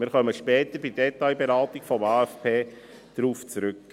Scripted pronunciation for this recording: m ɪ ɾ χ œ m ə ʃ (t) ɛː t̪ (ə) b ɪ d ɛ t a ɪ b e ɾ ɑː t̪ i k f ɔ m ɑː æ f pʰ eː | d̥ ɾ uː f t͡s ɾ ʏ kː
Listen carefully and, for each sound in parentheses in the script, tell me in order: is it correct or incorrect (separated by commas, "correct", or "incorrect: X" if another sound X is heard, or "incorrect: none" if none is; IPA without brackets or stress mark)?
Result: incorrect: p, correct